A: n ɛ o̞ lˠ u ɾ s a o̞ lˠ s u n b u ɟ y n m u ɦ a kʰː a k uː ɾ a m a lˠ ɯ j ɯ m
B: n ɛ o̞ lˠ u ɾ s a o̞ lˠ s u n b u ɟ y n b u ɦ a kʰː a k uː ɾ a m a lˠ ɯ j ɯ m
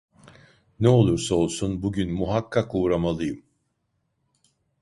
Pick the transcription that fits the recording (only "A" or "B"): A